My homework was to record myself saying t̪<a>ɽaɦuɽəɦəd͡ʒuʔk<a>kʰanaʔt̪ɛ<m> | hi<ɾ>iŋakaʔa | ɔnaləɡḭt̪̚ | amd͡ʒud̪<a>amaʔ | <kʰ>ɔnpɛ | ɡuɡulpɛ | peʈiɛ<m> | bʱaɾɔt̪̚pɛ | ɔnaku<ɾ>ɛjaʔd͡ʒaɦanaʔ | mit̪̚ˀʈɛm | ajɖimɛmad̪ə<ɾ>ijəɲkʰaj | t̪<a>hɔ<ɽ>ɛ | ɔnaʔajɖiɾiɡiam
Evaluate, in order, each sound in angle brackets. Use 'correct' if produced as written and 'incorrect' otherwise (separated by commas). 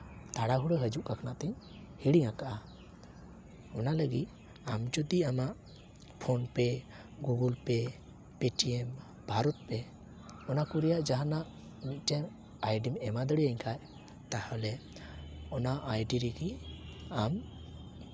correct, correct, incorrect, incorrect, incorrect, incorrect, correct, correct, incorrect, correct, incorrect